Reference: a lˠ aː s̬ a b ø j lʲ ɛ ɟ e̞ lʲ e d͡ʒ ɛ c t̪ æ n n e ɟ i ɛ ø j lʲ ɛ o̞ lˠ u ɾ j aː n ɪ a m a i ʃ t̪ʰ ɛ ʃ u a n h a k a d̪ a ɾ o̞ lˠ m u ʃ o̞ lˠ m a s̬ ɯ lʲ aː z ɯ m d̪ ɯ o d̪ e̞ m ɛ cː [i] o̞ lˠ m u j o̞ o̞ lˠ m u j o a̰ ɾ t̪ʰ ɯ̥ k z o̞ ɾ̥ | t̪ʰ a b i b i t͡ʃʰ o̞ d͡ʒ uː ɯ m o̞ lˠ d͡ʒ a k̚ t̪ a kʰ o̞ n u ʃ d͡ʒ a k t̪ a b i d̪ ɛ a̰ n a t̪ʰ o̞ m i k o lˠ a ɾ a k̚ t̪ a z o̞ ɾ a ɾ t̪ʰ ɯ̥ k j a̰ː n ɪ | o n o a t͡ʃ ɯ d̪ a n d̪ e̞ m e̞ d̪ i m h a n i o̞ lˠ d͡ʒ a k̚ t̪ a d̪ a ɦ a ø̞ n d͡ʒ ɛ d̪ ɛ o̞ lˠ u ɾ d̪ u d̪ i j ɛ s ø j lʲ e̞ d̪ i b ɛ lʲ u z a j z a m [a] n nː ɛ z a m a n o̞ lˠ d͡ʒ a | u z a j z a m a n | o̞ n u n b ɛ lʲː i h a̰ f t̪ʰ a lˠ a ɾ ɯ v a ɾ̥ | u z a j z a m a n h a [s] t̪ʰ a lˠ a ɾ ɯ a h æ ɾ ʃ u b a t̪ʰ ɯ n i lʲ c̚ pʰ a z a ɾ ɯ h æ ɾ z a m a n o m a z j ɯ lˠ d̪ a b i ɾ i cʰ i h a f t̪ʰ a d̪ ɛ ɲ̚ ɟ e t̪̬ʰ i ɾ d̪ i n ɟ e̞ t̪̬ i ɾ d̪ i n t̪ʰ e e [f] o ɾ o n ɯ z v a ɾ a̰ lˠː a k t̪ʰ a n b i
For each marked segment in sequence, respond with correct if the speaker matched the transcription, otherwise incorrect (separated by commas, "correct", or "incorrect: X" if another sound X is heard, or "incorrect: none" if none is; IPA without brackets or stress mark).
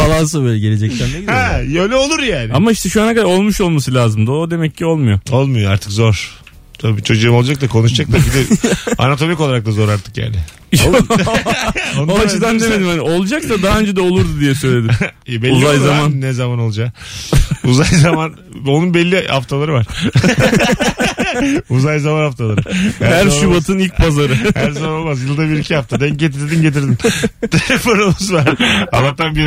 correct, correct, incorrect: f, correct